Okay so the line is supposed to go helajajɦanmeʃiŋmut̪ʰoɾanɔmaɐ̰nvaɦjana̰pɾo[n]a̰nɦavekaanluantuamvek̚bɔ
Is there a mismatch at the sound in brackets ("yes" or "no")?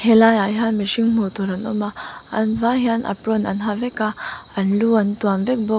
no